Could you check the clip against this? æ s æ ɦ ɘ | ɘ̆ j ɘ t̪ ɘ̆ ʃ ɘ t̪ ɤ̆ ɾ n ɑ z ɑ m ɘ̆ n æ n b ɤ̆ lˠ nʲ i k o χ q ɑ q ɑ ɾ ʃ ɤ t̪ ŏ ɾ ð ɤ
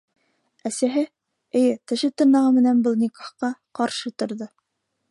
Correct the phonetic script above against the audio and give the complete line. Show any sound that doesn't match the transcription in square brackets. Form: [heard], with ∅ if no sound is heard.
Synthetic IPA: æ s æ ɦ ɘ | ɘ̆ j ɘ t̪ ɘ̆ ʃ ɘ t̪ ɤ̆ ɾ n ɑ [ʁ] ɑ m ɘ̆ n æ n b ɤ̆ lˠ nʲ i k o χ q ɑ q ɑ ɾ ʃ ɤ t̪ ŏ ɾ ð ɤ